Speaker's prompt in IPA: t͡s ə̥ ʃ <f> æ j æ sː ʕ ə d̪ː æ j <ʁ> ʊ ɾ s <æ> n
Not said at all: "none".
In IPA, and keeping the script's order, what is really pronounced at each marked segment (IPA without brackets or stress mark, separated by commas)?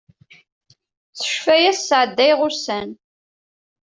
f, ʁ, æ